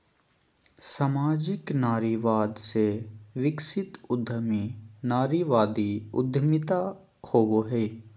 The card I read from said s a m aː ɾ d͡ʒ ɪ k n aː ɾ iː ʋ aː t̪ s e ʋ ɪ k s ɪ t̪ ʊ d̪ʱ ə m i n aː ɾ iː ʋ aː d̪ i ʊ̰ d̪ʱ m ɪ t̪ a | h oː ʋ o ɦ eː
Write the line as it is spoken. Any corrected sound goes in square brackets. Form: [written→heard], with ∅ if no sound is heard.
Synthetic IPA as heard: s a m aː [ɾ→∅] d͡ʒ ɪ k n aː ɾ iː ʋ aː [t̪→d̪] s e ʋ ɪ k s ɪ t̪ ʊ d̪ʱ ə m i n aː ɾ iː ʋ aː d̪ i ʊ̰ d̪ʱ m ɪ t̪ a | h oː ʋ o ɦ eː